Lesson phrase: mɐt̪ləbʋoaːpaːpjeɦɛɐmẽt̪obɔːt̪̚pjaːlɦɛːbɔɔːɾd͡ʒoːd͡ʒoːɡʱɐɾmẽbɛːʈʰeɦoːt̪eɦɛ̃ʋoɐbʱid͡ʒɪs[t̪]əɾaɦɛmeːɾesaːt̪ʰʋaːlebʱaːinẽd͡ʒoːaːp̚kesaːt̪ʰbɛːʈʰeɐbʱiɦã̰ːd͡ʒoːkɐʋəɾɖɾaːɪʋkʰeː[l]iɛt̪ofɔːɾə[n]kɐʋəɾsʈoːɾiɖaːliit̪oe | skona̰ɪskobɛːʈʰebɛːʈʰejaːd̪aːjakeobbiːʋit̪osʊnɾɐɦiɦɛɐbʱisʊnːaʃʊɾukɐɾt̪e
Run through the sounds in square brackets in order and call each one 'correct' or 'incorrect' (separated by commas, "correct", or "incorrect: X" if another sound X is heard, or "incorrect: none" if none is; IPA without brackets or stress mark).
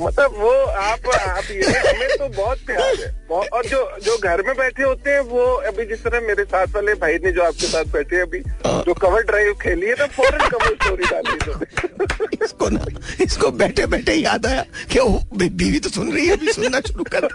correct, correct, correct